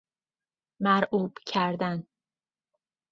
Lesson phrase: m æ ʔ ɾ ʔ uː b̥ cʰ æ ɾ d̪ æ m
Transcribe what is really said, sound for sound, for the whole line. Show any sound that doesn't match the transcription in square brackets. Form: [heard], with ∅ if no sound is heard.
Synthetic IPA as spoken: m æ [∅] ɾ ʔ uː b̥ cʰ æ ɾ d̪ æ [n]